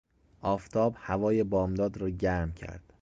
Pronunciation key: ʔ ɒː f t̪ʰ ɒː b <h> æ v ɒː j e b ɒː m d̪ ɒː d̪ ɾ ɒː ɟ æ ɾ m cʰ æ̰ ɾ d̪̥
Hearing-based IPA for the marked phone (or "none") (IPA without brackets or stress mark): h